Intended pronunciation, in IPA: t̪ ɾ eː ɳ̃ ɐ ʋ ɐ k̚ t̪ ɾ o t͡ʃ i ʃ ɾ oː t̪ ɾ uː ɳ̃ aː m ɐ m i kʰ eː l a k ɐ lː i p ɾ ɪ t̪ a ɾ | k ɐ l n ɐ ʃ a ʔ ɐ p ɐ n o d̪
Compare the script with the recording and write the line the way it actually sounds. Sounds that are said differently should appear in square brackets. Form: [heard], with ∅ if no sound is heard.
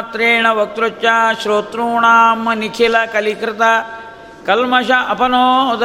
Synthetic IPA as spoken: t̪ ɾ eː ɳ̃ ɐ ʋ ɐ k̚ t̪ ɾ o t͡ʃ [a] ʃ ɾ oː t̪ ɾ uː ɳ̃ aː m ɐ [n] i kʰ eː l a k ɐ [l] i [k] ɾ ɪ t̪ a [∅] | k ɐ l [m] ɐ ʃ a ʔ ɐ p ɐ n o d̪